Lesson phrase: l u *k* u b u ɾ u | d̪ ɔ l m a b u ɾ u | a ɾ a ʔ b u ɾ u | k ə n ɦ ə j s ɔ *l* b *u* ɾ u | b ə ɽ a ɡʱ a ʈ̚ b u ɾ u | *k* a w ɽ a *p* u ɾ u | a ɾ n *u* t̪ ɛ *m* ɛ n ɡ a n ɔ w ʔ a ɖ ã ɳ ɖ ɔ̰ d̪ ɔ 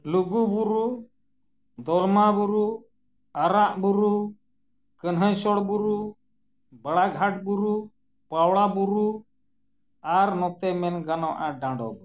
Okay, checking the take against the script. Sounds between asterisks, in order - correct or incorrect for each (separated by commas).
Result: incorrect, incorrect, correct, incorrect, incorrect, incorrect, correct